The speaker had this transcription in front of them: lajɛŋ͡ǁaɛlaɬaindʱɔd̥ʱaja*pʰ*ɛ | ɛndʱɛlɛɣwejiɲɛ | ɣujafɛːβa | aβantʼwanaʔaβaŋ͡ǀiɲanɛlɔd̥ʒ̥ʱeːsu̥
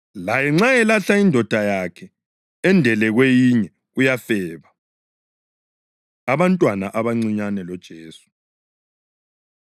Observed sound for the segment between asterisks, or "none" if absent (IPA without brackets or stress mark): kʰ